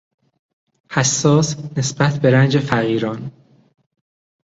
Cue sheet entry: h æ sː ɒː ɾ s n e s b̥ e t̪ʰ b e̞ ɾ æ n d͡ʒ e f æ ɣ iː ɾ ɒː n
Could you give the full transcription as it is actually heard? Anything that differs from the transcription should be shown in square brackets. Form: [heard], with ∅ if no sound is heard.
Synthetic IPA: h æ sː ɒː [∅] s n e s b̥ [æ] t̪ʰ b e̞ ɾ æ n d͡ʒ e f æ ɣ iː ɾ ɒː n